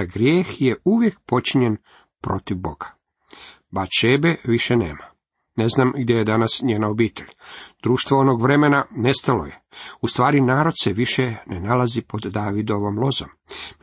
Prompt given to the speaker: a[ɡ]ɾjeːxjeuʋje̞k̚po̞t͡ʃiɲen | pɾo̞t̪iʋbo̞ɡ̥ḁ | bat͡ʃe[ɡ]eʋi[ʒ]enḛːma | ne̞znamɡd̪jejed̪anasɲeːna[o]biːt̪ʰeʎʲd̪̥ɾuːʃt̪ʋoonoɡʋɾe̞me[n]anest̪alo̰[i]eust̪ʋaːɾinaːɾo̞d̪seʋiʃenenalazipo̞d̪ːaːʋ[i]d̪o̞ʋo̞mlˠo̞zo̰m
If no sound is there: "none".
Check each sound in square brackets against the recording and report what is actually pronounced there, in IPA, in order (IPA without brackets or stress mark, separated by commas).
ɡ, b, ʃ, o, n, j, i